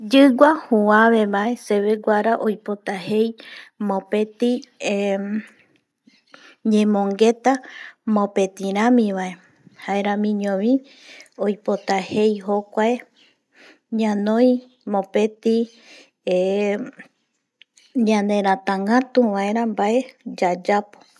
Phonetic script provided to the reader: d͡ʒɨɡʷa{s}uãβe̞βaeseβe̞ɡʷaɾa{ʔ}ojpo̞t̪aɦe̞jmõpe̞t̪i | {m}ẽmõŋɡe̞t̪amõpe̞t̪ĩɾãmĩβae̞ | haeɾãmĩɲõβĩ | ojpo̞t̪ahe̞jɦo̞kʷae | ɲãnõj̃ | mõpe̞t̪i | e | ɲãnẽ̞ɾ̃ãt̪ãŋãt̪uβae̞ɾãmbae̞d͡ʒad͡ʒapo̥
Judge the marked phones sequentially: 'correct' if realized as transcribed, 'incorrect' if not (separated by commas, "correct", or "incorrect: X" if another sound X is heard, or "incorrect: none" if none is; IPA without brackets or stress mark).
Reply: incorrect: h, correct, incorrect: ɲ